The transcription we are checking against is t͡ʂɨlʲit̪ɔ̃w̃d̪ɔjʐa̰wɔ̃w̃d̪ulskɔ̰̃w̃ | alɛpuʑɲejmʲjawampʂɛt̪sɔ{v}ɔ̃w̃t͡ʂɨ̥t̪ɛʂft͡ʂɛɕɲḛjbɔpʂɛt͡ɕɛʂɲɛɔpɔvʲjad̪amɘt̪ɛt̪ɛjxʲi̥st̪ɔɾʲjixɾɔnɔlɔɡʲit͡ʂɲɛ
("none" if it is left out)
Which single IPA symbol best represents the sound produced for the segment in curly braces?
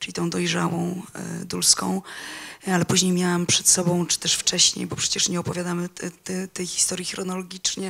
b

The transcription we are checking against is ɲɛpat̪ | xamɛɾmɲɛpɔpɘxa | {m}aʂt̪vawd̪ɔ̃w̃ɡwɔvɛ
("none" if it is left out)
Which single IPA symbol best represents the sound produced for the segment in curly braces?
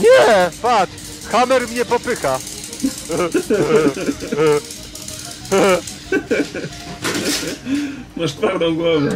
m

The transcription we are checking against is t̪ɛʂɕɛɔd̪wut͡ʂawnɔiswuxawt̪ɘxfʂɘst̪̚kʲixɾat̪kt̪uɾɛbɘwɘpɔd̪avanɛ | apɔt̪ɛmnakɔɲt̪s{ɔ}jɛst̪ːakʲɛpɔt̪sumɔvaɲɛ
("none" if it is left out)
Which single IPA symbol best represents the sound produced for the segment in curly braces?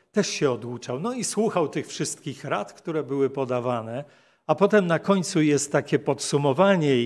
u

